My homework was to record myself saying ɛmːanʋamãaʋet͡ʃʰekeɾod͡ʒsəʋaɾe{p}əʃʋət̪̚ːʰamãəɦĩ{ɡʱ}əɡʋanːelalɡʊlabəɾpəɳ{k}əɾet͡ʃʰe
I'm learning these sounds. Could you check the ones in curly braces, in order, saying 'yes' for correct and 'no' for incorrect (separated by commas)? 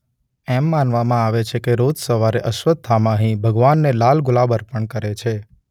no, no, yes